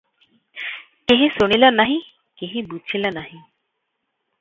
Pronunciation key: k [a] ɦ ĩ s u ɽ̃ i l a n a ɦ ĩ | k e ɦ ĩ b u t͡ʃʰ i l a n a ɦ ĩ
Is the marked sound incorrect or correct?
incorrect